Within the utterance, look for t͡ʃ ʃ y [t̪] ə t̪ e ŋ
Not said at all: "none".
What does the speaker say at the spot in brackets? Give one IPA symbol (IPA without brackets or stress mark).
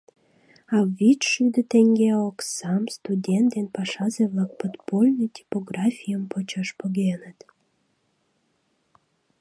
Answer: d̪